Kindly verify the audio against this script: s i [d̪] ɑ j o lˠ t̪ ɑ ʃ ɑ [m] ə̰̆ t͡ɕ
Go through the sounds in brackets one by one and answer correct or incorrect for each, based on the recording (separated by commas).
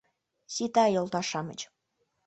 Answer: incorrect, correct